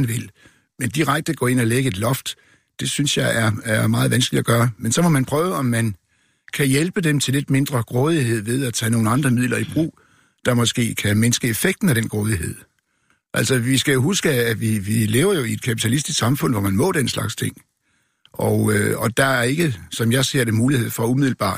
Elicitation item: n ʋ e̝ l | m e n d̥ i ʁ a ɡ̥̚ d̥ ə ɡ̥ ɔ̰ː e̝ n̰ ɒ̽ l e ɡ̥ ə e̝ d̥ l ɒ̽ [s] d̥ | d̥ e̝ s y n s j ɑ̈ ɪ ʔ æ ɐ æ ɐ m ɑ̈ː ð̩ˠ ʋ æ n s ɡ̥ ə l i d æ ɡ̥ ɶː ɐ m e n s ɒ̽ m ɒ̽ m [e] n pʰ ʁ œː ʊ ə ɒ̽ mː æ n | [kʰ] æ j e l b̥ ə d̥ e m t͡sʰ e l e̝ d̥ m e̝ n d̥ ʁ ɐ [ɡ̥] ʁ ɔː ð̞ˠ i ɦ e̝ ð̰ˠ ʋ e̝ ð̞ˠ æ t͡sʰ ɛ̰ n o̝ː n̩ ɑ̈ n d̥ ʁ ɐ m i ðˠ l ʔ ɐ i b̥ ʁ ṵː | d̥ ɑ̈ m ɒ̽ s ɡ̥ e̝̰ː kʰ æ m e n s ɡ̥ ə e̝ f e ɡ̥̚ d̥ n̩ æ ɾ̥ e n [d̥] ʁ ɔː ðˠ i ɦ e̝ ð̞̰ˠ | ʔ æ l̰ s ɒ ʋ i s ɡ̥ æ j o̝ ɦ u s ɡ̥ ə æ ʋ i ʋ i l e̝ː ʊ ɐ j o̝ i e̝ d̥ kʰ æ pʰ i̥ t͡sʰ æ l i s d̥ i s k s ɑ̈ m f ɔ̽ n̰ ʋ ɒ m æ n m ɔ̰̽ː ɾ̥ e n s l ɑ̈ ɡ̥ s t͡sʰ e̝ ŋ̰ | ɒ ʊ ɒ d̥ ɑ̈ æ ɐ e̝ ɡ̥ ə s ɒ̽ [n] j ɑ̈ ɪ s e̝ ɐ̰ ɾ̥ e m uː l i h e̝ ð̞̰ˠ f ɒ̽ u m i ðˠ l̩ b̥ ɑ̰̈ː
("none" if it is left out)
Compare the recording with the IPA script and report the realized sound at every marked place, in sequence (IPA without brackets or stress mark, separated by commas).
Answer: f, æ, kʰ, ɡ̥, ɡ̥, m